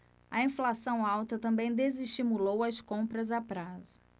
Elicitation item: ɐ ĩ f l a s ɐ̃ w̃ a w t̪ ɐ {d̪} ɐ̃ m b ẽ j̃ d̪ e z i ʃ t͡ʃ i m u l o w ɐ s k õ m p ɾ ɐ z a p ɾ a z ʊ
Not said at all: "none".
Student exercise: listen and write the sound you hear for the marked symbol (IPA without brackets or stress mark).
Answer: t̪